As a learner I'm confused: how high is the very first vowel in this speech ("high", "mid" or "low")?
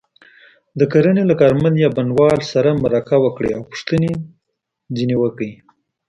mid